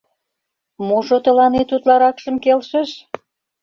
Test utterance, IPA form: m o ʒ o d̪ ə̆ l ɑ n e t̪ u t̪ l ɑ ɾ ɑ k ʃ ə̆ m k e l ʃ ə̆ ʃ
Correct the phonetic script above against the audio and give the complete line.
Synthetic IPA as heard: m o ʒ o t̪ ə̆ l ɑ n e t̪ u t̪ l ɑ ɾ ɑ k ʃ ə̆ m k e l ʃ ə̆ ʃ